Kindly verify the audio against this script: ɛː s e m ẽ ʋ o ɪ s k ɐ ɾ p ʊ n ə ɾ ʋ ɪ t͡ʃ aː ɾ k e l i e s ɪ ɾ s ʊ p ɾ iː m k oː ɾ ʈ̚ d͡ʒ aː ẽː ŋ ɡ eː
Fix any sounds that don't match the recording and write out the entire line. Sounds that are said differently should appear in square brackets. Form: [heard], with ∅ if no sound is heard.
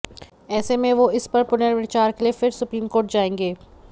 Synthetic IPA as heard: ɛː s e m ẽ ʋ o ɪ s [p] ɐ ɾ p ʊ n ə ɾ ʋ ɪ t͡ʃ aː ɾ k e l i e [f] ɪ ɾ s ʊ p ɾ iː m k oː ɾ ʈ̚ d͡ʒ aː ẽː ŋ ɡ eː

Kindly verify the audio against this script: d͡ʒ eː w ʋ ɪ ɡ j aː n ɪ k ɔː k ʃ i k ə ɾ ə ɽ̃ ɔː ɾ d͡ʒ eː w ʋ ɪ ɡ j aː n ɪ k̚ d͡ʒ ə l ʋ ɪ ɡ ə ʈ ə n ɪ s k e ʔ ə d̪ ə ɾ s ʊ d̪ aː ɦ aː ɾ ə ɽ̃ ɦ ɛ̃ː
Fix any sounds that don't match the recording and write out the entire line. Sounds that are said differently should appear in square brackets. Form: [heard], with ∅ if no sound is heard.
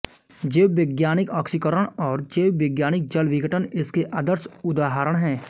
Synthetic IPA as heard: d͡ʒ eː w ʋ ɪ ɡ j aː n ɪ k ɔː k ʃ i k ə ɾ ə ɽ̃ ɔː ɾ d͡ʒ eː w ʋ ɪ ɡ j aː n ɪ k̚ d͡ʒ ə l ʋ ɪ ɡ ə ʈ ə n ɪ s k e ʔ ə d̪ ə ɾ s ʊ d̪ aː ɦ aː ɾ ə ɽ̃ ɦ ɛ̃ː

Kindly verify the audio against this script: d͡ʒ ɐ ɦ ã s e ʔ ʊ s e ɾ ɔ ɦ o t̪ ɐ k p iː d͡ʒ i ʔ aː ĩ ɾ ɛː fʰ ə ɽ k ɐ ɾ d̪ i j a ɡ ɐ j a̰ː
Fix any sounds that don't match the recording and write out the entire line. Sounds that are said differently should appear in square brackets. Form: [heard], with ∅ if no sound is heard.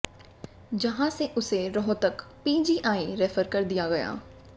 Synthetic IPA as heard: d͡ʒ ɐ ɦ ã s e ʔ ʊ s e ɾ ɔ ɦ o t̪ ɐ k p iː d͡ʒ i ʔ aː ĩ ɾ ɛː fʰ ə [ɾ] k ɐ ɾ d̪ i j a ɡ ɐ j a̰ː

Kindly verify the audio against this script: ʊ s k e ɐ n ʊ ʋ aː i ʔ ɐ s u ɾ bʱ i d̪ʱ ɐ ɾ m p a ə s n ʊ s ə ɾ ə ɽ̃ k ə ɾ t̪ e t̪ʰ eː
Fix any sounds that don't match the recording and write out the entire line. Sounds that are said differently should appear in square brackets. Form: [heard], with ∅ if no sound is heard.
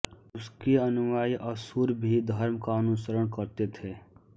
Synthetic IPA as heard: ʊ s k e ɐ n ʊ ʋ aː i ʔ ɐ s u ɾ bʱ i d̪ʱ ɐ ɾ m [k] a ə [∅] n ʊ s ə ɾ ə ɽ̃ k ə ɾ t̪ e t̪ʰ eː

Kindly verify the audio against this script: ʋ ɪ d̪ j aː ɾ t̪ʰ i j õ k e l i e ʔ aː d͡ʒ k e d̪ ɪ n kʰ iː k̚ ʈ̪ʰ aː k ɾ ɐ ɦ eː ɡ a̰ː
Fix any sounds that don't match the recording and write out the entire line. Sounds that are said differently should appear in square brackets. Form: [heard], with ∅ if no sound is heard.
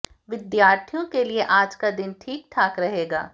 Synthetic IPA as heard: ʋ ɪ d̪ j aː ɾ t̪ʰ i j õ k e l i e ʔ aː d͡ʒ k [a] d̪ ɪ n [ʈʰ] iː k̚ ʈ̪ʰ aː k ɾ ɐ ɦ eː ɡ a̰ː

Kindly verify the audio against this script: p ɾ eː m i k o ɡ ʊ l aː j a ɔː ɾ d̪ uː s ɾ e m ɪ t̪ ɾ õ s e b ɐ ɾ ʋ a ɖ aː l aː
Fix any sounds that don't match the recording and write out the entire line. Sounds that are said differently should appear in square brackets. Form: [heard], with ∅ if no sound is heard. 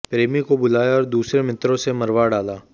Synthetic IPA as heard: p ɾ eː m i k o [b] ʊ l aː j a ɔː ɾ d̪ uː s ɾ e m ɪ t̪ ɾ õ s e [m] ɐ ɾ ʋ a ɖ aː l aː

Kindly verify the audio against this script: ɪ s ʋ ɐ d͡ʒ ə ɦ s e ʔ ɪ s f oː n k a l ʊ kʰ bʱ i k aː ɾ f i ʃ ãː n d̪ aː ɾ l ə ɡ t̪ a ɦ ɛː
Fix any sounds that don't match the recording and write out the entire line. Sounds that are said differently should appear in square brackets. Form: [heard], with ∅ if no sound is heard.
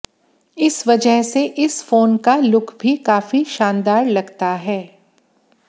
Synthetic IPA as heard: ɪ s ʋ ɐ d͡ʒ ə ɦ s e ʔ ɪ s f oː n k a l ʊ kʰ bʱ i k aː [∅] f i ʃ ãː n d̪ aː ɾ l [ɐ] ɡ t̪ a ɦ ɛː

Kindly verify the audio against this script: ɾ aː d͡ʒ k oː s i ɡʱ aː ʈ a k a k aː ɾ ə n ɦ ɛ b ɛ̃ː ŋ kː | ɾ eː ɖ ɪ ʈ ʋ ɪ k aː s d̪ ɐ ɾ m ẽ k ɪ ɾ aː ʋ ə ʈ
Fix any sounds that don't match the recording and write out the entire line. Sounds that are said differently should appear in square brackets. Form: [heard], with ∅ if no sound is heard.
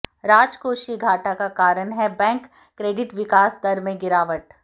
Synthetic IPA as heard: ɾ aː d͡ʒ k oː [ʃ] i ɡʱ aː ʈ a k a k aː ɾ ə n ɦ ɛ b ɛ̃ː ŋ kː | ɾ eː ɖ ɪ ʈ ʋ ɪ k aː s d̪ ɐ ɾ m ẽ [ɡ] ɪ ɾ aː ʋ ə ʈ

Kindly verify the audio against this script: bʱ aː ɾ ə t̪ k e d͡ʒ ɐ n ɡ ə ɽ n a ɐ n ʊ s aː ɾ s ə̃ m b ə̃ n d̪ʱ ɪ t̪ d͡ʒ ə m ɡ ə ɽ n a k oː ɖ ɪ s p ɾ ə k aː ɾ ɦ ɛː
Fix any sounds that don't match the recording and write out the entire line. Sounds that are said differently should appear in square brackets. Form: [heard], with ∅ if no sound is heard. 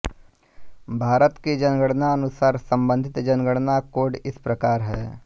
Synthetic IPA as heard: bʱ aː ɾ ə t̪ k e d͡ʒ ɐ n ɡ ə ɽ n a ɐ n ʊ s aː ɾ s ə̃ m b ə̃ n d̪ʱ ɪ t̪ d͡ʒ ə [n] ɡ ə ɽ n a k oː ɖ ɪ s p ɾ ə k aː ɾ ɦ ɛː

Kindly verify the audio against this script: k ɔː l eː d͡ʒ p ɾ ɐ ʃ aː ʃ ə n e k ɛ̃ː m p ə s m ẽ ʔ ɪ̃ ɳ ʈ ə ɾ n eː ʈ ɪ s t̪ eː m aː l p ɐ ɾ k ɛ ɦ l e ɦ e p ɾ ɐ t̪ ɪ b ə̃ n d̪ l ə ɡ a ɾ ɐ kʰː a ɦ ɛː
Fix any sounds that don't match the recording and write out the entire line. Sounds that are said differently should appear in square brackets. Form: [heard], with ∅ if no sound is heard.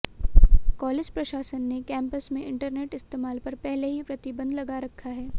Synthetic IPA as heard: k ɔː l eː d͡ʒ p ɾ ɐ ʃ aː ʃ ə [nː] e k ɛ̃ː m p ə s m ẽ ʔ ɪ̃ ɳ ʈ ə ɾ n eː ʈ ɪ s t̪ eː m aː l p ɐ ɾ [p] ɛ ɦ l e ɦ [i] p ɾ ɐ t̪ ɪ b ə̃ n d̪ l [ɐ] ɡ a ɾ ɐ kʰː a ɦ ɛː

